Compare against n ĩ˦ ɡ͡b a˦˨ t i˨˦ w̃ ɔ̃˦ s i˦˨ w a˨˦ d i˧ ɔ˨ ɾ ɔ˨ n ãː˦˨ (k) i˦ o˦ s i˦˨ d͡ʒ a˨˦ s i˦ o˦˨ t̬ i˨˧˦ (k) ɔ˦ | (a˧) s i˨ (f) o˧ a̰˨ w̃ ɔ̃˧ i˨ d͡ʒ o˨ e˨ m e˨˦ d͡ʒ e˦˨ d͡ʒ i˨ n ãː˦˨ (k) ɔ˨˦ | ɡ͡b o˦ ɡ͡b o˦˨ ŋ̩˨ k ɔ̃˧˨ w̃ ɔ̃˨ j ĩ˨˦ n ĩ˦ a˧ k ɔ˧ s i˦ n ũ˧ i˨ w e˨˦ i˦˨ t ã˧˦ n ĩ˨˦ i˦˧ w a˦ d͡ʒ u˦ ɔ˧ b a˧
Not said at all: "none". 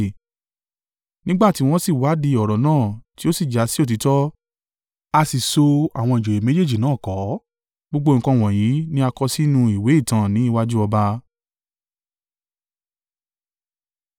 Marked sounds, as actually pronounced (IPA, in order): t, t, a˧, s, k

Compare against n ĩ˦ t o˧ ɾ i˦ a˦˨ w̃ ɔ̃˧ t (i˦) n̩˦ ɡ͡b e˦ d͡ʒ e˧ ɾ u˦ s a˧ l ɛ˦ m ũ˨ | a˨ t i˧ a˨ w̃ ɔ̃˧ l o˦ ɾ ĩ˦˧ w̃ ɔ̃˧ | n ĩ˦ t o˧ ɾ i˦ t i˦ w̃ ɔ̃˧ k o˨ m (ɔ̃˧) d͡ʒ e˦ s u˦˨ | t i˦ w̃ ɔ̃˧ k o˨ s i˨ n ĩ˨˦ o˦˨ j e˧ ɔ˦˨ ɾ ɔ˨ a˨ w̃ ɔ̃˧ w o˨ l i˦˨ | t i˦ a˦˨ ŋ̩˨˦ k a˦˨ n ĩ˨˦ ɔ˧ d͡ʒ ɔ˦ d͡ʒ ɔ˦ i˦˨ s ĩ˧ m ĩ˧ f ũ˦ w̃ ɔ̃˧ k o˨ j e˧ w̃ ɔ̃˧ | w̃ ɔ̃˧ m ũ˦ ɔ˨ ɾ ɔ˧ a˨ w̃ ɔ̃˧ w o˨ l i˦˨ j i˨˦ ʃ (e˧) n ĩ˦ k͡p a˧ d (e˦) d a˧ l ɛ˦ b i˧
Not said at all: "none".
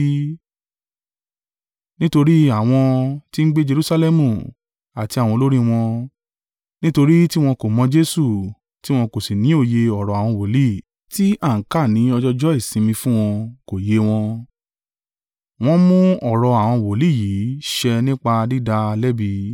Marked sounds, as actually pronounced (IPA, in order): i˦, ɔ̃˧, ɛ˧, i˦

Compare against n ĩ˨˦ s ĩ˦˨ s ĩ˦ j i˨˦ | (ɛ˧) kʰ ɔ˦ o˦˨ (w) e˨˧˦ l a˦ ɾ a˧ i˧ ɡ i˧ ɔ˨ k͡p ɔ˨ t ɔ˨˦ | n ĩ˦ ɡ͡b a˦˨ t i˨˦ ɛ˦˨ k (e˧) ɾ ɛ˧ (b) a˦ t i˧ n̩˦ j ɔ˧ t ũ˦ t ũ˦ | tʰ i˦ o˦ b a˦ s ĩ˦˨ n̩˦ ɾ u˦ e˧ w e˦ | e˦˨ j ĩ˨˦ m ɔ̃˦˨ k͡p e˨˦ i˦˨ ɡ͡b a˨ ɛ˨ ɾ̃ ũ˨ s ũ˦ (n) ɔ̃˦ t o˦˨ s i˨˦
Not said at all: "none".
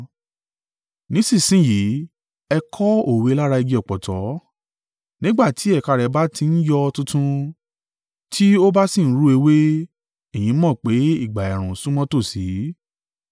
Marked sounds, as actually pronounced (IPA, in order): ɛ˧, w, a˧, b, m

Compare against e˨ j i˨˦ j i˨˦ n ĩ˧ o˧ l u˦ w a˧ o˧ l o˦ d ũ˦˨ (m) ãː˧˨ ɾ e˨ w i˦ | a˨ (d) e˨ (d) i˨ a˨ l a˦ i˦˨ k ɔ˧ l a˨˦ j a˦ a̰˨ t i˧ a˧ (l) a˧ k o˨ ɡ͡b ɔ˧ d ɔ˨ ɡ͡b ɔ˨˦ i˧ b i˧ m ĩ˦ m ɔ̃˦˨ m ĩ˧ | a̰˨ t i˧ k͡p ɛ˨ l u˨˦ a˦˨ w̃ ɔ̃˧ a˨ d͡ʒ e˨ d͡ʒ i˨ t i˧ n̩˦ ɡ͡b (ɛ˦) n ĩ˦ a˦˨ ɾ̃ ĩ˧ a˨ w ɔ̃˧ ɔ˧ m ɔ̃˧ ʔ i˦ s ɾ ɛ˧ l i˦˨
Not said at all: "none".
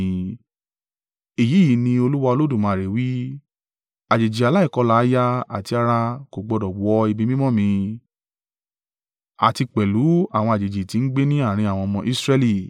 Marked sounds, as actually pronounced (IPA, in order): m, d͡ʒ, d͡ʒ, ɾ, e˦

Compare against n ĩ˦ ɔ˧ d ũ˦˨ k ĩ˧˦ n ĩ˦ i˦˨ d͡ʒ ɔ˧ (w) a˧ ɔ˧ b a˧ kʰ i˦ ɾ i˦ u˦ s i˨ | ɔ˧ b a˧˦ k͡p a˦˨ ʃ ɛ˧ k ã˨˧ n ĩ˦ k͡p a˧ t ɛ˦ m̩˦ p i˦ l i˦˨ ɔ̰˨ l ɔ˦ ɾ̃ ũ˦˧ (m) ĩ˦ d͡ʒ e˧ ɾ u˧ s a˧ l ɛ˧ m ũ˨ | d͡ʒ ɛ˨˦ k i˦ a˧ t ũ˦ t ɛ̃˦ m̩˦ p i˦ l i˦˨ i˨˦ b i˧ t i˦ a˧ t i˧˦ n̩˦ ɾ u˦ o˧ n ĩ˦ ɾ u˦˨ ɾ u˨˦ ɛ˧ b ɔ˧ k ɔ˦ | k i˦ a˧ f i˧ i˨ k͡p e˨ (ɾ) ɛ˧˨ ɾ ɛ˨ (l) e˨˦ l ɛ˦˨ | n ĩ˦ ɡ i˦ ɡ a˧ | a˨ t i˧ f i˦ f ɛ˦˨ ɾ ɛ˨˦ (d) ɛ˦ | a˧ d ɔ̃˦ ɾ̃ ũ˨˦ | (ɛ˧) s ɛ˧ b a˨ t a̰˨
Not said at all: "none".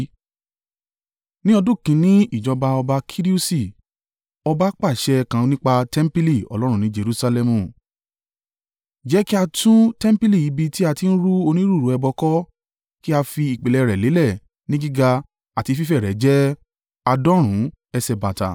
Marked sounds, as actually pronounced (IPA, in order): b, n, l, l, d͡ʒ, ɛ˧

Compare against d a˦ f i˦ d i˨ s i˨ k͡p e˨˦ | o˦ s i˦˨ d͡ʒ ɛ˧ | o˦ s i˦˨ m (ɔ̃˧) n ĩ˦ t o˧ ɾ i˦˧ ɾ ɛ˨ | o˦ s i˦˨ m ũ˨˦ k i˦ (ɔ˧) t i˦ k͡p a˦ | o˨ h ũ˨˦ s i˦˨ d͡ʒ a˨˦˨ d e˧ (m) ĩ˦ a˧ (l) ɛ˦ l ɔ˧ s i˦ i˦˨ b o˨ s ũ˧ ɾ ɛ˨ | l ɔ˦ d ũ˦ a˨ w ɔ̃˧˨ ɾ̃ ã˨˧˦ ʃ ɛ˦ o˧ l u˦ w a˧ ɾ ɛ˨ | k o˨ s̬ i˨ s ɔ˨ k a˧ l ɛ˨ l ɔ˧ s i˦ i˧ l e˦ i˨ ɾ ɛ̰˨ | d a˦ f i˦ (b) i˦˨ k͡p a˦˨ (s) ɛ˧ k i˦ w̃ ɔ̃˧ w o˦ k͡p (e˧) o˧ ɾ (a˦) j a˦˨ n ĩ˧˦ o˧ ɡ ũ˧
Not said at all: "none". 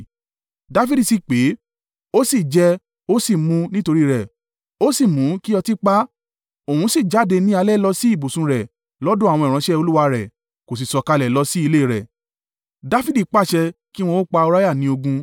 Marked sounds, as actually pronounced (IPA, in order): ũ˧, ɔ˧, n, l, d, ʃ, a˧, a˦

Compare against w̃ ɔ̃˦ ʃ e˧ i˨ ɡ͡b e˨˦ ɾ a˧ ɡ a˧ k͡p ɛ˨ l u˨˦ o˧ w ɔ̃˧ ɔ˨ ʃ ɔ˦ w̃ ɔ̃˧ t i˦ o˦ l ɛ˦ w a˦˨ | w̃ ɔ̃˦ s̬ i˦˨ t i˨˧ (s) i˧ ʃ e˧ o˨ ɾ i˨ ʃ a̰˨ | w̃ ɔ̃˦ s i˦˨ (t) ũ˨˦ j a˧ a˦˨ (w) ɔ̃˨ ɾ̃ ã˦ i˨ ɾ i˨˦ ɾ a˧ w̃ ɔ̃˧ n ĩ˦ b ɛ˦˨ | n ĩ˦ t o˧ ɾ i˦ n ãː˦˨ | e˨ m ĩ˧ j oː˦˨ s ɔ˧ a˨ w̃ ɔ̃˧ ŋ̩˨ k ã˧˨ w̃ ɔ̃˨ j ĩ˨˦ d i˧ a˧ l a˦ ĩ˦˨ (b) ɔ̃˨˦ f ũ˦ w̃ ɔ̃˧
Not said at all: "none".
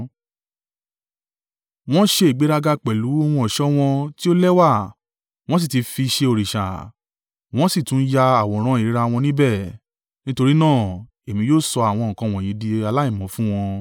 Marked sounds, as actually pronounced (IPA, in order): f, t, w, m

